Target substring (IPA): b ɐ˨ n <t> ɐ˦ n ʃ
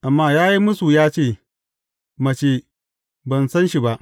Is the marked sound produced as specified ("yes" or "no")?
no